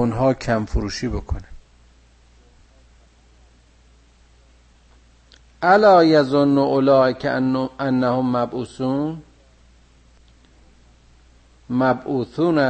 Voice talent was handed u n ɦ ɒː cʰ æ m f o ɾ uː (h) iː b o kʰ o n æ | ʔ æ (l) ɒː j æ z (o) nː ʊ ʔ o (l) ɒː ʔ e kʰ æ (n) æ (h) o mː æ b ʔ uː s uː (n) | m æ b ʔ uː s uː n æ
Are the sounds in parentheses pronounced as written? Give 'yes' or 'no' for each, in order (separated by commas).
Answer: no, yes, yes, yes, no, yes, yes